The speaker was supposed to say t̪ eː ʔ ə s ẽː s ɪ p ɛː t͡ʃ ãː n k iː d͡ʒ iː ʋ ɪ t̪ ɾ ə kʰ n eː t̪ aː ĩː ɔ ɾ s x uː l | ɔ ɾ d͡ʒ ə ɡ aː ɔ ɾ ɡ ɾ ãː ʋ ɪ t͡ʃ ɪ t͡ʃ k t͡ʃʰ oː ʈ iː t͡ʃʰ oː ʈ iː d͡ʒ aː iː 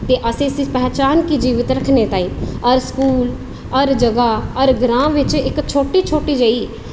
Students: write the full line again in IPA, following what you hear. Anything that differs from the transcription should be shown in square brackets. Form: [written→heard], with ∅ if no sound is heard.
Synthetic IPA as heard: t̪ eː ʔ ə s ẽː s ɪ p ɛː t͡ʃ [ãː→aː] n k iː d͡ʒ iː ʋ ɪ t̪ ɾ ə kʰ n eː t̪ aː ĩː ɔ ɾ s [x→k] uː l | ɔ ɾ d͡ʒ ə ɡ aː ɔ ɾ ɡ ɾ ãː ʋ ɪ t͡ʃ ɪ [t͡ʃ→∅] k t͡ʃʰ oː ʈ iː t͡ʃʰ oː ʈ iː d͡ʒ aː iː